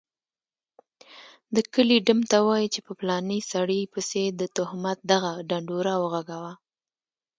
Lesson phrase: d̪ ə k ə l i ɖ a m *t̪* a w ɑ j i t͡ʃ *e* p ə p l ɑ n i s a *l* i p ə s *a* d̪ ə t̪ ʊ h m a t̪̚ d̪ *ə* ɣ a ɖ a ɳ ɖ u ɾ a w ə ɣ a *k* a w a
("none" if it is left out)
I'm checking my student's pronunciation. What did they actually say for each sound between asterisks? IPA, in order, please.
t̪, e, ɽ, e, a, ɡ

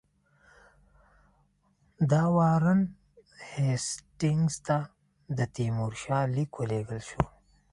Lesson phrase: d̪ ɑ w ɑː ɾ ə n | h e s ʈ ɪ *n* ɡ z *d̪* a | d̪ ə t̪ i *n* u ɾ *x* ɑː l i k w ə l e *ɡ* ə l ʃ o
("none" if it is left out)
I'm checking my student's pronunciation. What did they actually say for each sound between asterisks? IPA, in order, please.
ŋ, t̪, m, ʃ, ɡ

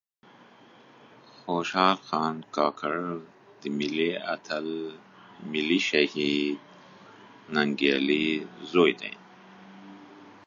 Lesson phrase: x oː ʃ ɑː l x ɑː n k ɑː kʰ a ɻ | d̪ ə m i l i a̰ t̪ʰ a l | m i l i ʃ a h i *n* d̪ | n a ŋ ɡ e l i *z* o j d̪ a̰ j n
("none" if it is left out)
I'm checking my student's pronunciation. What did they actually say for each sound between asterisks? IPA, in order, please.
none, z

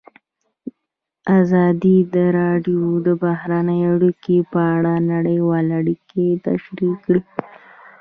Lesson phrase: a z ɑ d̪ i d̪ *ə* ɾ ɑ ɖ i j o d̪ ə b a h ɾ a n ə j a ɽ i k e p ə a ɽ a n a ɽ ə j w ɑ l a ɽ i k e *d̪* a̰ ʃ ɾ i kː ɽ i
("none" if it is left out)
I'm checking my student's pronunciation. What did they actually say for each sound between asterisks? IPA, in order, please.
ə, t̪

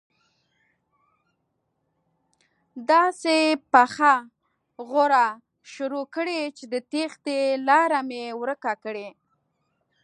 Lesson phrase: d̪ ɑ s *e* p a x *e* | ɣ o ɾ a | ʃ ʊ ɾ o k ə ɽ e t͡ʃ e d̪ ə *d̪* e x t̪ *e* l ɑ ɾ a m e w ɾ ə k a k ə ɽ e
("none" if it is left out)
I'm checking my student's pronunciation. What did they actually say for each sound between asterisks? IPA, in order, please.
e, a, t̪, e

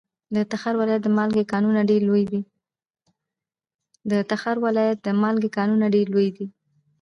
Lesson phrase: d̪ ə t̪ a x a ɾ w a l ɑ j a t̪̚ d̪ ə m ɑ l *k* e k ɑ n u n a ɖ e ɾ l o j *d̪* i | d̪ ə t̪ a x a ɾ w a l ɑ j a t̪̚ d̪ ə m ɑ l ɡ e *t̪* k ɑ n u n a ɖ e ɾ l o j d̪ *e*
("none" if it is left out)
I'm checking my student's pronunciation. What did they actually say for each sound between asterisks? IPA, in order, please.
ɡ, d̪, none, i

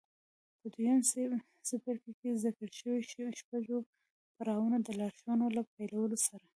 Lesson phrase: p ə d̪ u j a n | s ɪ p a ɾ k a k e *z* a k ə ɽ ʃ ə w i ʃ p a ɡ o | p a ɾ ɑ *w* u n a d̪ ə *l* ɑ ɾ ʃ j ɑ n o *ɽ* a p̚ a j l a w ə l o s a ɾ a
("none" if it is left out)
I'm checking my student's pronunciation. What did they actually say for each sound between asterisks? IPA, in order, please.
z, w, l, l

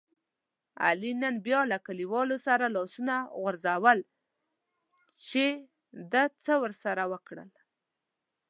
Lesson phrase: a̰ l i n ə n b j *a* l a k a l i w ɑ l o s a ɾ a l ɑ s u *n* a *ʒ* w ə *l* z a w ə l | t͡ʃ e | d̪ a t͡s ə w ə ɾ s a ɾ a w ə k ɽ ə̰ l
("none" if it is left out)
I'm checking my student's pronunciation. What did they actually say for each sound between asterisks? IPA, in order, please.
ɑ, n, ɣ, ɾ

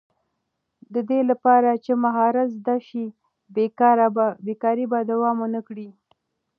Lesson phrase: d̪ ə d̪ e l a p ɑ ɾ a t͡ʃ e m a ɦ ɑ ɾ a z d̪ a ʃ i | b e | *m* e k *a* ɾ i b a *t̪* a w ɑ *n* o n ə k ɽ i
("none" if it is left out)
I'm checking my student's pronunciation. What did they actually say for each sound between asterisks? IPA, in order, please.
b, ɑ, d̪, m

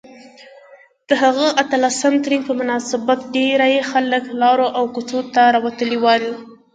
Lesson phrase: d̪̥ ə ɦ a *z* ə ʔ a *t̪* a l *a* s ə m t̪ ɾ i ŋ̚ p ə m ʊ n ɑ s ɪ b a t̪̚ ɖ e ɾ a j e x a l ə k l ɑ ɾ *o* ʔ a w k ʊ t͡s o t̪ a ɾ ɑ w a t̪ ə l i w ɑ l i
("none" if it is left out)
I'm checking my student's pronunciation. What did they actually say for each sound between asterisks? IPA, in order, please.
ɣ, t̪, a, o

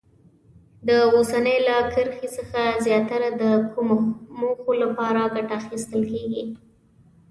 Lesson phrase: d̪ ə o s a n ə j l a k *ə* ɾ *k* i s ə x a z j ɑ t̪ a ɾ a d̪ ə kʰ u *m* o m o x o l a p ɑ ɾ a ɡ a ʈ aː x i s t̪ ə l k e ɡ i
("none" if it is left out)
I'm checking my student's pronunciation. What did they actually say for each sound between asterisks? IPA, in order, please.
ə, x, m

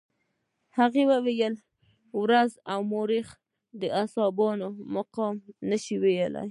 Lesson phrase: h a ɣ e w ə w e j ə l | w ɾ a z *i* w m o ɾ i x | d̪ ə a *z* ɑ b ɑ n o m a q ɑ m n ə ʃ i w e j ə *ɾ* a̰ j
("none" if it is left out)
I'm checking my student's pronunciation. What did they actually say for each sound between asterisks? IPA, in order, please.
a, s, l

